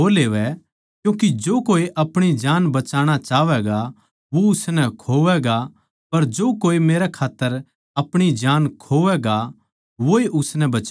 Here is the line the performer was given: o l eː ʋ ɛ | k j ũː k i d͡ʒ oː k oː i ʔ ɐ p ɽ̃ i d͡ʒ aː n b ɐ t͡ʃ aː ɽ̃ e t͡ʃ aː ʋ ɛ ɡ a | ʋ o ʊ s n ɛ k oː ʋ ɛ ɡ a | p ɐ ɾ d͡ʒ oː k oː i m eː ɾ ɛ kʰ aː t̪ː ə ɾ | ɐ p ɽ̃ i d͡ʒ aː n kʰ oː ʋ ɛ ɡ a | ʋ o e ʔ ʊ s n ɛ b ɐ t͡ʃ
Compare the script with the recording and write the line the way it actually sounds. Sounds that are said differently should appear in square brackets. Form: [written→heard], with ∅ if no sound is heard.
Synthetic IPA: o l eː ʋ ɛ | k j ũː k i d͡ʒ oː k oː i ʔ ɐ p ɽ̃ i d͡ʒ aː n b ɐ t͡ʃ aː ɽ̃ [e→a] t͡ʃ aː ʋ ɛ ɡ a | ʋ o ʊ s n ɛ [k→kʰ] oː ʋ ɛ ɡ a | p ɐ ɾ d͡ʒ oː k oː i m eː ɾ ɛ kʰ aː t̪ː ə ɾ | ɐ p ɽ̃ i d͡ʒ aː n kʰ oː ʋ ɛ ɡ a | ʋ o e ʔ ʊ s n ɛ b ɐ t͡ʃ